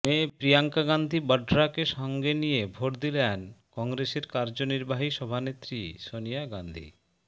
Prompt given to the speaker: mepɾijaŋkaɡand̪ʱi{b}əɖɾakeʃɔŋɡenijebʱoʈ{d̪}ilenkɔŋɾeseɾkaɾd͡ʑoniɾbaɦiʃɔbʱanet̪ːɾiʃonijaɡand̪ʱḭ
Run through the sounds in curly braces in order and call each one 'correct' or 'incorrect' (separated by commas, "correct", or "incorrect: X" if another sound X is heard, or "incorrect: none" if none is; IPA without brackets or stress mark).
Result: correct, correct